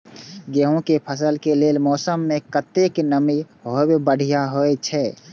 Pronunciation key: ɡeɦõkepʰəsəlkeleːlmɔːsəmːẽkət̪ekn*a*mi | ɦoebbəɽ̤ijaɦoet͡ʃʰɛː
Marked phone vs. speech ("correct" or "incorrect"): incorrect